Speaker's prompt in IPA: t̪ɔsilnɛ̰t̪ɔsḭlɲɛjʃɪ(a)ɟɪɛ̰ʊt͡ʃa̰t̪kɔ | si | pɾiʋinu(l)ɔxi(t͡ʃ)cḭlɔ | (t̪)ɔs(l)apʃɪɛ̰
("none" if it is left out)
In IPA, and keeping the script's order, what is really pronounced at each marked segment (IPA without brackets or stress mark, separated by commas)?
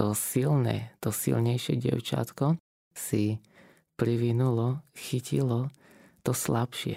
ɛ, l, none, t̪, l